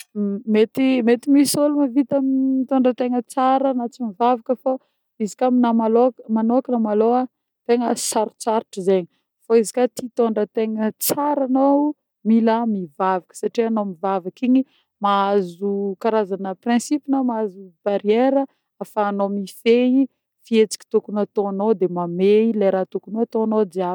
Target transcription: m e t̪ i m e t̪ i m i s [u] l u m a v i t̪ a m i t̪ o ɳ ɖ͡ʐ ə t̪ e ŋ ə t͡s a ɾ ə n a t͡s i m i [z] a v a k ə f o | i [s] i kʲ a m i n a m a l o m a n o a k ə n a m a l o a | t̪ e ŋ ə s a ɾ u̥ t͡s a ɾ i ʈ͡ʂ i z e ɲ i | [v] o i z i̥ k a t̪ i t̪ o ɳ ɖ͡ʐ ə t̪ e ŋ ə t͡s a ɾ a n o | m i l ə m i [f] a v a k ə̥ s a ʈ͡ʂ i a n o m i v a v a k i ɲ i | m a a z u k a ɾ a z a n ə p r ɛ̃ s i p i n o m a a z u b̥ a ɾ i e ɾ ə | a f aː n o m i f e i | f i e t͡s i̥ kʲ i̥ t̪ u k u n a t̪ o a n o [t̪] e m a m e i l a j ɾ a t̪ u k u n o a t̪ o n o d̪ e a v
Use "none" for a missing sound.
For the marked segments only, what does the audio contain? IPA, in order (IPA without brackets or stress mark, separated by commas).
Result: o, v, z, f, v, d̪